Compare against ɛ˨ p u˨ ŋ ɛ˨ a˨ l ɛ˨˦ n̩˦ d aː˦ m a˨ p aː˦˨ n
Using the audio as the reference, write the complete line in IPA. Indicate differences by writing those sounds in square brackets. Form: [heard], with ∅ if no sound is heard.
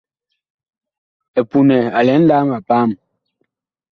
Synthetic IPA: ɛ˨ p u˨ [n] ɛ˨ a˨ l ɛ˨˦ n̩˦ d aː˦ m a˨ p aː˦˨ [m]